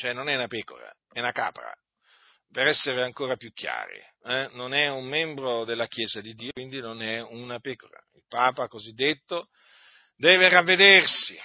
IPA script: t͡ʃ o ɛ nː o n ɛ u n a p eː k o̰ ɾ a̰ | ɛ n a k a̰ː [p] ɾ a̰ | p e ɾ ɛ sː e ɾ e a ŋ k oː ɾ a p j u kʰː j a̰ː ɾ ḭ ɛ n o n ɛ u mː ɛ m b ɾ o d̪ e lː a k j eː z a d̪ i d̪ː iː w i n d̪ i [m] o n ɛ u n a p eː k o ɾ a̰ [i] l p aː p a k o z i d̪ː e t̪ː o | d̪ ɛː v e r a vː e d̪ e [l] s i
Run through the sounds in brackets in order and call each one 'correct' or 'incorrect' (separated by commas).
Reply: correct, incorrect, correct, incorrect